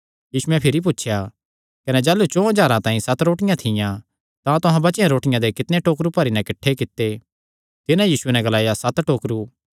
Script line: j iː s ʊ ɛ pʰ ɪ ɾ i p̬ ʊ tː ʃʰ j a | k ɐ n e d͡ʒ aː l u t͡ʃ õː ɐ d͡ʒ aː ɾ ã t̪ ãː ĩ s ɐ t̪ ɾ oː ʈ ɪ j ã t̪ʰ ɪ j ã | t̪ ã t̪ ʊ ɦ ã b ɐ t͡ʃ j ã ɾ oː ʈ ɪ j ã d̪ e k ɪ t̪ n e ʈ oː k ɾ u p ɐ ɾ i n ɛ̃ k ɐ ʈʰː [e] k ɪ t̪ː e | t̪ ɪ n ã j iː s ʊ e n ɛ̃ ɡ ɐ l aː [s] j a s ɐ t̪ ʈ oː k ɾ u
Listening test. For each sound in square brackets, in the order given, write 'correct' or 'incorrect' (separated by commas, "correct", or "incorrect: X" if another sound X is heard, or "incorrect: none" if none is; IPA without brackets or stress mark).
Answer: correct, incorrect: none